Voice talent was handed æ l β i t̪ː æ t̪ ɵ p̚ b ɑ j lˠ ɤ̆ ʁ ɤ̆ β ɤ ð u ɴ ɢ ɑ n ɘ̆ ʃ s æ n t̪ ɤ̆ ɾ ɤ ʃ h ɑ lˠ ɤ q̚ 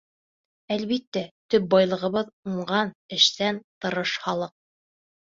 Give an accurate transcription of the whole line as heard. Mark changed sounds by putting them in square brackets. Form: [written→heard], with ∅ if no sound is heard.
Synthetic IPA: æ l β i t̪ː æ t̪ ɵ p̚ b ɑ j lˠ ɤ̆ ʁ ɤ̆ β ɤ ð u ɴ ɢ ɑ n ɘ̆ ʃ s æ n t̪ ɤ̆ ɾ ɤ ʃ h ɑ lˠ ɤ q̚

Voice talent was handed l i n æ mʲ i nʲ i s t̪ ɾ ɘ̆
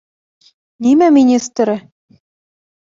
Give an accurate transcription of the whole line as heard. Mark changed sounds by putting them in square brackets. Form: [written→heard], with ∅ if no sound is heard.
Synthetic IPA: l i [n→m] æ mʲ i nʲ i s t̪ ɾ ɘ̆

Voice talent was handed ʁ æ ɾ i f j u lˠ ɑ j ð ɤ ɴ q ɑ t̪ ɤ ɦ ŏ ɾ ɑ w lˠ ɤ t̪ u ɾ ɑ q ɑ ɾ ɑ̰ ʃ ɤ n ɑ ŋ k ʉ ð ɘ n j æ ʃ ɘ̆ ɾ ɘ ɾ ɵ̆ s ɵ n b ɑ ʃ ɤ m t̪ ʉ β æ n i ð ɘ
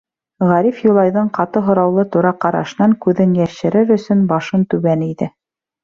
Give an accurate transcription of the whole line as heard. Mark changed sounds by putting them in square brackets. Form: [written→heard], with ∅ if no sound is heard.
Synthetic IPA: ʁ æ ɾ i f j u lˠ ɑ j ð ɤ ɴ q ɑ t̪ ɤ ɦ ŏ ɾ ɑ w lˠ ɤ t̪ u ɾ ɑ q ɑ ɾ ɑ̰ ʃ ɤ n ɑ ŋ k ʉ ð ɘ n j æ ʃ ɘ̆ ɾ ɘ ɾ ɵ̆ s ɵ n b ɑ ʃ ɤ [m→n] t̪ ʉ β æ n i ð ɘ

